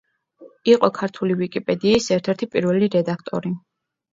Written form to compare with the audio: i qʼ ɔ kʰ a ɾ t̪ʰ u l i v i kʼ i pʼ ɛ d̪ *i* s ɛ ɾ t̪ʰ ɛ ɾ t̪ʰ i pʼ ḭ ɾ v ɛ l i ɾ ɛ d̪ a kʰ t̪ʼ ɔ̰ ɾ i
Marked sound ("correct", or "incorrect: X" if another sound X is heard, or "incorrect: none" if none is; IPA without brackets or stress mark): incorrect: iː